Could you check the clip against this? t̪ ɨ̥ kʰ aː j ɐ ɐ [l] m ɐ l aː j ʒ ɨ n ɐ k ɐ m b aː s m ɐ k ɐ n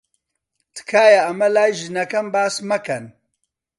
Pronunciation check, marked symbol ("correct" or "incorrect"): incorrect